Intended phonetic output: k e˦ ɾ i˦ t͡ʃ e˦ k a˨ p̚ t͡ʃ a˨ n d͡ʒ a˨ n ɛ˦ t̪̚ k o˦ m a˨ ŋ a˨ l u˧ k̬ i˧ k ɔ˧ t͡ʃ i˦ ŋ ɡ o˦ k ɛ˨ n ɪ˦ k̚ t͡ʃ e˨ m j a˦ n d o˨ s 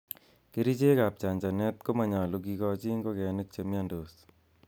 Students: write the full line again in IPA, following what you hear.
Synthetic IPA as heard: k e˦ ɾ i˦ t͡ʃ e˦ k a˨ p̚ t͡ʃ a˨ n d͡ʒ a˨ n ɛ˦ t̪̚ k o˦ m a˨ ɲ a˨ l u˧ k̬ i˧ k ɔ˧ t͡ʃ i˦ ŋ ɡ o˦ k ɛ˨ n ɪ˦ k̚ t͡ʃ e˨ m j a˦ n d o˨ s